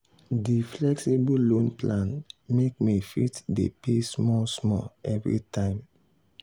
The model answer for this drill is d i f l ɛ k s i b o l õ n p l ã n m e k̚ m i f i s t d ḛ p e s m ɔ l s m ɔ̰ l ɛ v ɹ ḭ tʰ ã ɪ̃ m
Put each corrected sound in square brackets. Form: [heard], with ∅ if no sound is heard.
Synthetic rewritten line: d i f l ɛ k s i b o l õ n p l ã n m e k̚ m i f i [∅] t d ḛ p e s m ɔ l s m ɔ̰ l ɛ v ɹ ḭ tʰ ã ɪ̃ m

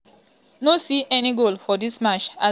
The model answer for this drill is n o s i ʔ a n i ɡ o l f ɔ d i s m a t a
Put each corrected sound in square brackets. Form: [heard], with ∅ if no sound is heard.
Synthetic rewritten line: n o s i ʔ [ɛ] n i ɡ o l f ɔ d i s m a [t͡ʃ] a

